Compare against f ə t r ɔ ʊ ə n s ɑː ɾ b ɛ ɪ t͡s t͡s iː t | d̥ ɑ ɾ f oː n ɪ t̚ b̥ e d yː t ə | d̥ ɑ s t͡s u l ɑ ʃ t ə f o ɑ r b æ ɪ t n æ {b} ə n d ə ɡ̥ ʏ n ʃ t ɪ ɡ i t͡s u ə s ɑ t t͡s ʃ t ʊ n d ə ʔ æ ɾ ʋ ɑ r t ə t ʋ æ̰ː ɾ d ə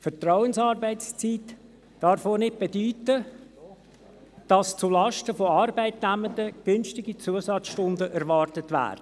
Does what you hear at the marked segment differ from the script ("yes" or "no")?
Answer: yes